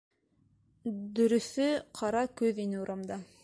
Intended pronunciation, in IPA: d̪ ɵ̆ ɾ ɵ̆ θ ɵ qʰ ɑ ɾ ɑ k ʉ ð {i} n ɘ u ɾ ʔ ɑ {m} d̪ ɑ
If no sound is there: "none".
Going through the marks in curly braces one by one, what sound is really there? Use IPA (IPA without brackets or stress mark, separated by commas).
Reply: i, m